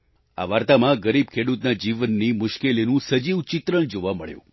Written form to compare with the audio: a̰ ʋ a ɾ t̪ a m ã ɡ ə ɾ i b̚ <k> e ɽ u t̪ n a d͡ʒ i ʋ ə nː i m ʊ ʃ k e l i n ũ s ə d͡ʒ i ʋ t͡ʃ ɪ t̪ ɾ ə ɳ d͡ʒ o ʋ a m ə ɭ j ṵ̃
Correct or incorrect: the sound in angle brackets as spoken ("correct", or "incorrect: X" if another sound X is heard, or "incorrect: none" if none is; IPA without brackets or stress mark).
incorrect: kʰ